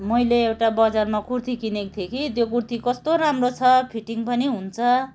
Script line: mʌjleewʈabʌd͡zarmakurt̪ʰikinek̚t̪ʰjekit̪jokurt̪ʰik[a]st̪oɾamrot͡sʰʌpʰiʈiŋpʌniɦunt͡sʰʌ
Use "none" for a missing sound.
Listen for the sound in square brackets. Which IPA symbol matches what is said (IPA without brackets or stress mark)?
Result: ʌ